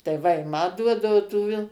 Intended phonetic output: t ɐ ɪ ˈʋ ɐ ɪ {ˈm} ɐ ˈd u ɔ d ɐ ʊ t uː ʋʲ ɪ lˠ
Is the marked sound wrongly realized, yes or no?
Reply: no